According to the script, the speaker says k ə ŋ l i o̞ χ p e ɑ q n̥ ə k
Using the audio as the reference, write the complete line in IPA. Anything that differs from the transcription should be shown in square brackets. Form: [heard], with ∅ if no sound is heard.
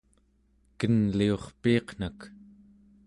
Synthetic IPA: k ə [n] l i o̞ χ p [i] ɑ q n̥ [a] k